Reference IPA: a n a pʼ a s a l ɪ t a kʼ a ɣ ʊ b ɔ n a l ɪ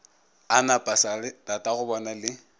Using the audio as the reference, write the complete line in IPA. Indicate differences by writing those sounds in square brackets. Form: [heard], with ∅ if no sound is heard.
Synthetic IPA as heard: a n a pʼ a s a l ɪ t a [tʼ] a ɣ ʊ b ɔ n a l ɪ